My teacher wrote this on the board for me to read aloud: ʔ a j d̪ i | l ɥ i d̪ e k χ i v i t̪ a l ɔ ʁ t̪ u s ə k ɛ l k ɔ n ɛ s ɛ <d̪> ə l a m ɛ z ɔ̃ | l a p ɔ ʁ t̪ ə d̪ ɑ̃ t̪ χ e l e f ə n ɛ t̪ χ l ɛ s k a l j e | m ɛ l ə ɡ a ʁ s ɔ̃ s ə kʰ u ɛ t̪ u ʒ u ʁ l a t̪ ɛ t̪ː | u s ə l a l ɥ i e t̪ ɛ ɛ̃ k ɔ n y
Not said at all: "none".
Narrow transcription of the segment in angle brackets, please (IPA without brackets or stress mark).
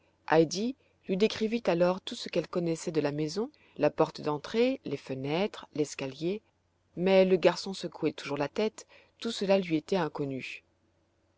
d̪